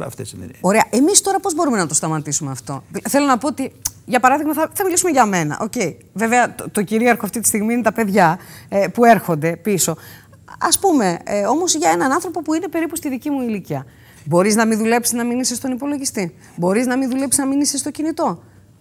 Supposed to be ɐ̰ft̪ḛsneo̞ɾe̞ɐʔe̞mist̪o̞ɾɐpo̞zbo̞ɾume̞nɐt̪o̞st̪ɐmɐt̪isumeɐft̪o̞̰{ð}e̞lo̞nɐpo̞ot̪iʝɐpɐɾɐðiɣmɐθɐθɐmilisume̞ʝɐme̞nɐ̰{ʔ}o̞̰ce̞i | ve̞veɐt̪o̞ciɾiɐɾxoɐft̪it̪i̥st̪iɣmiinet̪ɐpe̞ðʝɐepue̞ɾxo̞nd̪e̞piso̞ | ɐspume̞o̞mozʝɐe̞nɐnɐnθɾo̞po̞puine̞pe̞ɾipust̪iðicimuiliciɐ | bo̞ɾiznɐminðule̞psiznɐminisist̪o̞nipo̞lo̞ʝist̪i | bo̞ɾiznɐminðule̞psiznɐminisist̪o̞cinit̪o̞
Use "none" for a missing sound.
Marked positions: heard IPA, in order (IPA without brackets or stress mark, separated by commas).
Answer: θ, ʔ